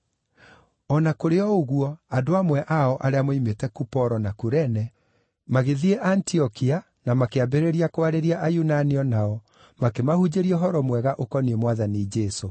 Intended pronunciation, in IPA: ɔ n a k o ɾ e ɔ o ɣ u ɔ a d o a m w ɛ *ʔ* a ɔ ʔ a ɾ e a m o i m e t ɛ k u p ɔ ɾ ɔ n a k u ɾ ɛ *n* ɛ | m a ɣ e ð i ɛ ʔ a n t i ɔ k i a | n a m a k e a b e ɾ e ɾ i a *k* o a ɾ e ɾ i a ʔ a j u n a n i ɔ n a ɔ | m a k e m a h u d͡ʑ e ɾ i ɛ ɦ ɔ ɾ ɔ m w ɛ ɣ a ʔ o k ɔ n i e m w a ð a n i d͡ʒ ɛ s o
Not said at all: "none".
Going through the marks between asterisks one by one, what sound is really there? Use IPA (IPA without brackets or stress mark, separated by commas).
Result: ʔ, n, k